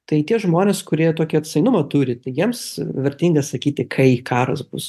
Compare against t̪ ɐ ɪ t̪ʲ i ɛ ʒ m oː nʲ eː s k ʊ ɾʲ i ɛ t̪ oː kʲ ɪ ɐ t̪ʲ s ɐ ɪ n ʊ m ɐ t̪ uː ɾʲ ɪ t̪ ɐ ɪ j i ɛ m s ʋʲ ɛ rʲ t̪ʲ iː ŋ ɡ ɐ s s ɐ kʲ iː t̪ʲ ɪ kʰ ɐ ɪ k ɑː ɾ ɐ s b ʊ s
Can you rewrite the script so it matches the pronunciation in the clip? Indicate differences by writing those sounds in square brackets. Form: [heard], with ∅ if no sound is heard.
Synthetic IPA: t̪ ɐ ɪ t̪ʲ i ɛ ʒ m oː nʲ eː s k ʊ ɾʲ i ɛ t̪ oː kʲ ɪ ɐ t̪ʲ s ɐ ɪ n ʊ m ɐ t̪ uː ɾʲ ɪ t̪ ɐ ɪ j i ɛ m s ʋʲ ɛ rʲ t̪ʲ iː ŋ ɡ ɐ s s ɐ kʲ iː t̪ʲ ɪ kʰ ɐ ɪ k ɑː ɾ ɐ s b ʊ s